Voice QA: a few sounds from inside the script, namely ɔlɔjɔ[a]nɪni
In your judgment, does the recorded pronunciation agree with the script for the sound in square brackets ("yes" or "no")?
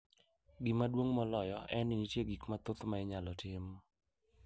no